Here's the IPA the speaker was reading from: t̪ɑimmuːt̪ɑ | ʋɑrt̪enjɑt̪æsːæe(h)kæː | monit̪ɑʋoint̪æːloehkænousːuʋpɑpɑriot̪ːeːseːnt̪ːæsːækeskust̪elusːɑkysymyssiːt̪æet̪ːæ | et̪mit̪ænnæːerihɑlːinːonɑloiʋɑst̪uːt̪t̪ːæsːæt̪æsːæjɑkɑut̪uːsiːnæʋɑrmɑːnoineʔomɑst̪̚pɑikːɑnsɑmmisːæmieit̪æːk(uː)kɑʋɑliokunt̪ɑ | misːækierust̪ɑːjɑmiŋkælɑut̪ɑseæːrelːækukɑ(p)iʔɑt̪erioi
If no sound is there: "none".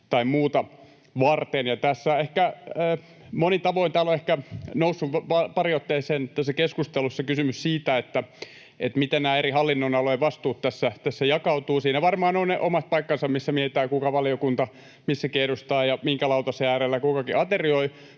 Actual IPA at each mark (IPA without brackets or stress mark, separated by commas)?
h, u, k